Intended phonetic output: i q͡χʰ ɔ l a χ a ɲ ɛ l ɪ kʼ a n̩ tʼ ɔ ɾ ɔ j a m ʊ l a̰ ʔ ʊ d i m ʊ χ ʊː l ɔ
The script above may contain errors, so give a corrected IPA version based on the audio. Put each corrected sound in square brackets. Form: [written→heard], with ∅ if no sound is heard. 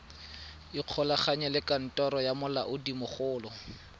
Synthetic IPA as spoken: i q͡χʰ ɔ l a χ a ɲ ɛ l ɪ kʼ a n̩ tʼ ɔ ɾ ɔ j a m ʊ l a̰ ʔ ʊ d i m ʊ χ ʊː l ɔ